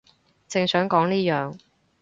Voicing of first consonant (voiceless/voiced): voiceless